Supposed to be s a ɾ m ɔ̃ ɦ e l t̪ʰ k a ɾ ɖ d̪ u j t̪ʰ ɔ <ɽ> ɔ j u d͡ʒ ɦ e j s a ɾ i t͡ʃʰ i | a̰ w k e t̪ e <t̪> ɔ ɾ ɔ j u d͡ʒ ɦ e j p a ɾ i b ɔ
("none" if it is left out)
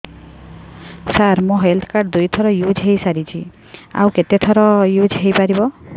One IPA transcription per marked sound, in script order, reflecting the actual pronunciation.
ɾ, t̪ʰ

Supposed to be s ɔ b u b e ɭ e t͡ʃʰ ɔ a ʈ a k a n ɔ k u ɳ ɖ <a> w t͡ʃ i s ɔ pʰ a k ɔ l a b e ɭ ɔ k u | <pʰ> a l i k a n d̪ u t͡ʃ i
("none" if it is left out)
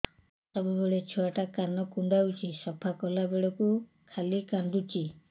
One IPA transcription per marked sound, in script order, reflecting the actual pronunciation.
a, kʰ

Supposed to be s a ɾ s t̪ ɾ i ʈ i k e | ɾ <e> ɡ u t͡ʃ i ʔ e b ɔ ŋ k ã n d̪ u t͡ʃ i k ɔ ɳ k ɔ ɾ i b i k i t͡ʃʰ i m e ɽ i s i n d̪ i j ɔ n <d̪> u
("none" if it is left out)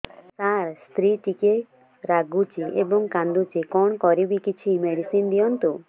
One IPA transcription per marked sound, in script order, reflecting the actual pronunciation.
a, t̪

